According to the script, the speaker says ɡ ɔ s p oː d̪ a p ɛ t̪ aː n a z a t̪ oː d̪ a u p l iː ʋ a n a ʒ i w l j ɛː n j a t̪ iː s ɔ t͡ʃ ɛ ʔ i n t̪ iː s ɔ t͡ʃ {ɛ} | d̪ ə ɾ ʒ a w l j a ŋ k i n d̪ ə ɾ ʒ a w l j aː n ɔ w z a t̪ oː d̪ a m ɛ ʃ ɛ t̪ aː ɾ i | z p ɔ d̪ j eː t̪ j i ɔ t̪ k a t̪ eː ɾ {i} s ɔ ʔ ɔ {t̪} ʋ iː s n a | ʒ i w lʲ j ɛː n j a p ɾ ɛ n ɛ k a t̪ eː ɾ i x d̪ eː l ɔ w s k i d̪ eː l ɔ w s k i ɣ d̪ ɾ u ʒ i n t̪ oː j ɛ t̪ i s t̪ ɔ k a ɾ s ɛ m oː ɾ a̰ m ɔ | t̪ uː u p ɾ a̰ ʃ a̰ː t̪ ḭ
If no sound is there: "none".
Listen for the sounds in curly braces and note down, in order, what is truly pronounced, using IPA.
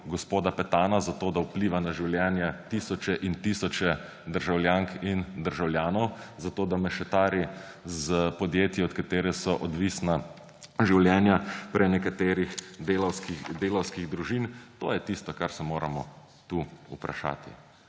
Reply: ɛ, ɛ, d̪

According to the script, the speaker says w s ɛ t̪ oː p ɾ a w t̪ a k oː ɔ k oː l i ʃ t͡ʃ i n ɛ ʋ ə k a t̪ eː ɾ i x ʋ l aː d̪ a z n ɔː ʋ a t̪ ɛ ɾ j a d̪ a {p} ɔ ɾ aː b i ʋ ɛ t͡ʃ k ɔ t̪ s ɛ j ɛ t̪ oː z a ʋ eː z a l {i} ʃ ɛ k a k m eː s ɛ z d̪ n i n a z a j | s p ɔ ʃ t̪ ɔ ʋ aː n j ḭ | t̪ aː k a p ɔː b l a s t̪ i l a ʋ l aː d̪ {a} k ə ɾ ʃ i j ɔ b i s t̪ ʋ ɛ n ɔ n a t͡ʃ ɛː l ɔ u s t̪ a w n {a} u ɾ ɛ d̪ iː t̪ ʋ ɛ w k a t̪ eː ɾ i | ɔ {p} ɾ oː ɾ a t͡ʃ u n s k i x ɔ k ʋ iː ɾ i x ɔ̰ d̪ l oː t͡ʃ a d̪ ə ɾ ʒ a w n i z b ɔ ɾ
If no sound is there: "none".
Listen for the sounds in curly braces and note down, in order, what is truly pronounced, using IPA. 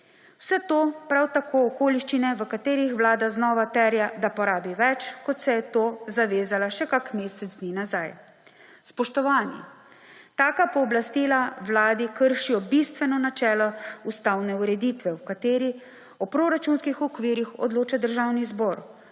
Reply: p, a, i, ɛ, p

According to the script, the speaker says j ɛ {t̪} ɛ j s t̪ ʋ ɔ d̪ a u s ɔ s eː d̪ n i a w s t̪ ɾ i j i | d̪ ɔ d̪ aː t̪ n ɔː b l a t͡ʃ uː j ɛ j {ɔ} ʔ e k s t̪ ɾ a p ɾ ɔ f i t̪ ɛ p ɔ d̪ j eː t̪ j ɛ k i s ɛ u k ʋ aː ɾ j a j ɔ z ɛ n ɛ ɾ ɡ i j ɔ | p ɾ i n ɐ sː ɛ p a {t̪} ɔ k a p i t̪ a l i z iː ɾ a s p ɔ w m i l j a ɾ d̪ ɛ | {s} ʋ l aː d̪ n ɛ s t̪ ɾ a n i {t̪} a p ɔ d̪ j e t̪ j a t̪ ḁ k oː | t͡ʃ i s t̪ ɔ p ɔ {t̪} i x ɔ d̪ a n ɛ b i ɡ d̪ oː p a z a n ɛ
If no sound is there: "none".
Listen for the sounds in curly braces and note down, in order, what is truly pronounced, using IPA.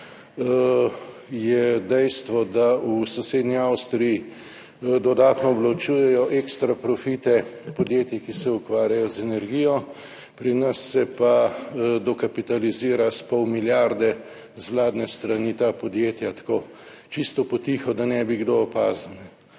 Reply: d̪, ɔ, d̪, z, t̪, t̪

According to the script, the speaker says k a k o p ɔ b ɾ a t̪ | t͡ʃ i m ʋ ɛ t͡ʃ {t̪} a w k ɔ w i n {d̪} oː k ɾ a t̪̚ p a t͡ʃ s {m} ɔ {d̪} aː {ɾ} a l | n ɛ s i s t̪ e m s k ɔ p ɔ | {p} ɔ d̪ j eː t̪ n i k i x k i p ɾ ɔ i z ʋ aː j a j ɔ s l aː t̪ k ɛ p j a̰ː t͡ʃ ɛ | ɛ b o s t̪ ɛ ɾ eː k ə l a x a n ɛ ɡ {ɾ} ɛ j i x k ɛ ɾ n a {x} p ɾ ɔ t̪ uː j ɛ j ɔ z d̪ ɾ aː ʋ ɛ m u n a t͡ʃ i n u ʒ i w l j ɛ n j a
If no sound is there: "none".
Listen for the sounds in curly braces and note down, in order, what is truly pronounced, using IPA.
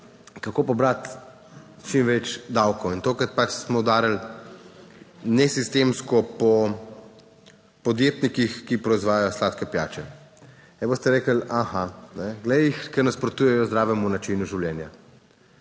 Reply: d̪, t̪, m, d̪, ɾ, p, l, s

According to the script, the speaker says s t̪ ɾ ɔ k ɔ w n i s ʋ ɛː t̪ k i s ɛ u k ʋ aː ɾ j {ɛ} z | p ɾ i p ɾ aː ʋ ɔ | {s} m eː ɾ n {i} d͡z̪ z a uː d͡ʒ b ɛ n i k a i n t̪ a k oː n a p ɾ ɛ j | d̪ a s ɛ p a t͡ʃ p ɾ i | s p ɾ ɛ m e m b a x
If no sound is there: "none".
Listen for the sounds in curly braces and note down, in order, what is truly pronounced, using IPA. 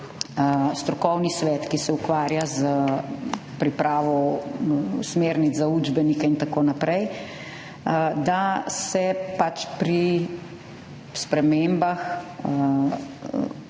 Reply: a, s, i

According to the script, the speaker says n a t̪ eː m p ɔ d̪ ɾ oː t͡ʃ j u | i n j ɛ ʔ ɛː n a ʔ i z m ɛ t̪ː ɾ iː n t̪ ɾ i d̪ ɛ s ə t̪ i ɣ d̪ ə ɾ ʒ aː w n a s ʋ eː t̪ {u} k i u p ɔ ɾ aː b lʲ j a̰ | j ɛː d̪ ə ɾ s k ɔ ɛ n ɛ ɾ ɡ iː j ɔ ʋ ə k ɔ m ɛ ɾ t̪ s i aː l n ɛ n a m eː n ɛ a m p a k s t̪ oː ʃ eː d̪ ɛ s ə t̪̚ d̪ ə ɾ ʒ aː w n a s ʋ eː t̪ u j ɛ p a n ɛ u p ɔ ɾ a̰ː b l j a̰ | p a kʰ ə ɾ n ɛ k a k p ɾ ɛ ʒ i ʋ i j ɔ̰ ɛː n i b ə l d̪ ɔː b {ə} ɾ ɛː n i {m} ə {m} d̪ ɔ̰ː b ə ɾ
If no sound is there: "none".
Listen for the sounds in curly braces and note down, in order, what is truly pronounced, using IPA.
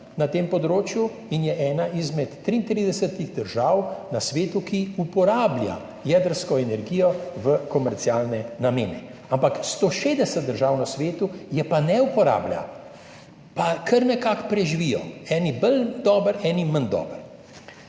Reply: u, ə, m, n

